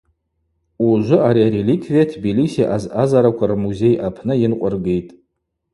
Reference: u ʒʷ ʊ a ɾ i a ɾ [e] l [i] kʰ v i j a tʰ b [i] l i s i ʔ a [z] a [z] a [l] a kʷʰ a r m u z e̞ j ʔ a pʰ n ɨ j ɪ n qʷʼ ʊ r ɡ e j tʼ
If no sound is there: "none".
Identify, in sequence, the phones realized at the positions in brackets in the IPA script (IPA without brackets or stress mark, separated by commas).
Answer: e, i, i, z, z, ɾ